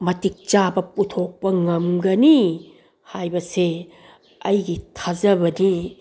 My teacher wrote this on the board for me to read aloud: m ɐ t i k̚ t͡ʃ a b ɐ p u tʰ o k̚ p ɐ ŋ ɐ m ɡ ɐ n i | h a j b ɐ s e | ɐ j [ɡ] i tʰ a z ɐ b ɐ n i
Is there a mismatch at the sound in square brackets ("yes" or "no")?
no